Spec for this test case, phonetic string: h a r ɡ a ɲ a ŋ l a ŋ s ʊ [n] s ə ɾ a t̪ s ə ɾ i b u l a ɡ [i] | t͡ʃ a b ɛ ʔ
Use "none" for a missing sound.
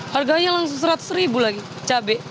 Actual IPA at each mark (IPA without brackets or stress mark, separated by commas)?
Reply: ŋ, i